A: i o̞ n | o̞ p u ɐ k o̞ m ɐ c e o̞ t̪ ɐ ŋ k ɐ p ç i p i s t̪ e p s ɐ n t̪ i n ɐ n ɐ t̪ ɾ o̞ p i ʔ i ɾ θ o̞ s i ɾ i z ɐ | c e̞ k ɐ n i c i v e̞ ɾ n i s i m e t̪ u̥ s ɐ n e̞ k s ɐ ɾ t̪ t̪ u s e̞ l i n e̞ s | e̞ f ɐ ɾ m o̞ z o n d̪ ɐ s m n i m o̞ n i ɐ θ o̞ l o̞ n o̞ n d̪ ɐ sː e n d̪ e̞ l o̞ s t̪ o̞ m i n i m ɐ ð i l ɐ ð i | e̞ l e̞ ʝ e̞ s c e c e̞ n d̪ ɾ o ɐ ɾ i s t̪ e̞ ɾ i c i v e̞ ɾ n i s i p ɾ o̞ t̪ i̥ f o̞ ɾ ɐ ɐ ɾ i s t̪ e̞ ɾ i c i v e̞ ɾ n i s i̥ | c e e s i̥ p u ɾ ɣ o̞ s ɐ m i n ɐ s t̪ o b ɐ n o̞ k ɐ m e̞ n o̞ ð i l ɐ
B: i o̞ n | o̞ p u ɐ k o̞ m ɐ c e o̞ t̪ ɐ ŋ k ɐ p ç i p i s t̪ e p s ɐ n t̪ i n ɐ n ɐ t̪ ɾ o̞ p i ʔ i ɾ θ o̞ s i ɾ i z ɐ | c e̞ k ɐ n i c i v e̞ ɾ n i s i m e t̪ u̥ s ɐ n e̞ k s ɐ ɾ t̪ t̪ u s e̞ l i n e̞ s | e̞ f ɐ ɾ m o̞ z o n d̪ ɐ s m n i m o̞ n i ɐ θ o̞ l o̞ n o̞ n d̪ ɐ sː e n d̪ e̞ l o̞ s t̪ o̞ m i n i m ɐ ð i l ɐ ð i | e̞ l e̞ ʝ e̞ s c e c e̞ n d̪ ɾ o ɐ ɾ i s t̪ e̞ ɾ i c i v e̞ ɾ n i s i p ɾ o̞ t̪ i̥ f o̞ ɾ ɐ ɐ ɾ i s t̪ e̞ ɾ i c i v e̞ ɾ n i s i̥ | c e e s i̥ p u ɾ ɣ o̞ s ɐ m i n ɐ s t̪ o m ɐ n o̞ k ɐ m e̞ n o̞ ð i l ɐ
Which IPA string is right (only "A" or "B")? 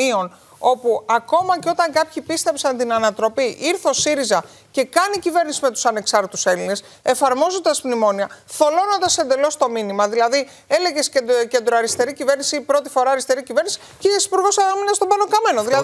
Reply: A